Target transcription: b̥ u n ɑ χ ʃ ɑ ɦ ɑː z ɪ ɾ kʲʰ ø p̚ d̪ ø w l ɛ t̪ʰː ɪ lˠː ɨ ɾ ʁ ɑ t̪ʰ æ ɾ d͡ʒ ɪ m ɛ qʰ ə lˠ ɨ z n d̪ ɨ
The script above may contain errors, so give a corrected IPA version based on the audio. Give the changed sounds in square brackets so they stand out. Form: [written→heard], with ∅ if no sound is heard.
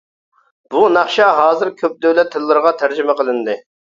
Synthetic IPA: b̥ u n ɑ χ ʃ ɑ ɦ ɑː z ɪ ɾ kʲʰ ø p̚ d̪ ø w l ɛ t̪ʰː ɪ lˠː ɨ ɾ ʁ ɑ t̪ʰ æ ɾ d͡ʒ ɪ m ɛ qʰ ə lˠ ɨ [z→∅] n d̪ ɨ